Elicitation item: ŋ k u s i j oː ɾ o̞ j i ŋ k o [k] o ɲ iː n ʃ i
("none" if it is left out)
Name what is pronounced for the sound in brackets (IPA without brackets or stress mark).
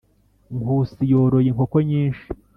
k